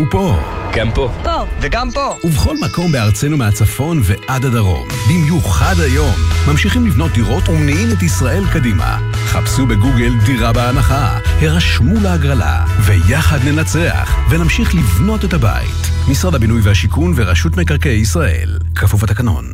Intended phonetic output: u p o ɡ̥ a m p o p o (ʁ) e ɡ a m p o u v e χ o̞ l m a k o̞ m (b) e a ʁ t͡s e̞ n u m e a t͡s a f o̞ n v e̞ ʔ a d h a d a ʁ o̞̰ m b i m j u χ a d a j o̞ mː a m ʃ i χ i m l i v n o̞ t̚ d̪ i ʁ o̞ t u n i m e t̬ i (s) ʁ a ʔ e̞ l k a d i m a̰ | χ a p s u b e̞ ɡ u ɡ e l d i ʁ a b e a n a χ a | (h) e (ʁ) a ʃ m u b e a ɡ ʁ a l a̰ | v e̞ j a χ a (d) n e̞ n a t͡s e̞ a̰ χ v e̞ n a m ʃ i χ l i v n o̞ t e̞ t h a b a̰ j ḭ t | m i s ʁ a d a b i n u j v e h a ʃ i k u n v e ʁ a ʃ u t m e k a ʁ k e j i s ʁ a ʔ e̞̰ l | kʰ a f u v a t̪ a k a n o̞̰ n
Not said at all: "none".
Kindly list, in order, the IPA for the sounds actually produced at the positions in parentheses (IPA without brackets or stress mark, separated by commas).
v, b, s, h, ʁ, d